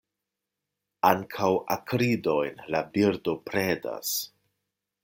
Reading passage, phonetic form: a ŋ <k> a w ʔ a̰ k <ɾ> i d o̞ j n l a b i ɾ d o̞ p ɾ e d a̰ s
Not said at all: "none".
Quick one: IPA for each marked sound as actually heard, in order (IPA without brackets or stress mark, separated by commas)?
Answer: kʰ, ɾ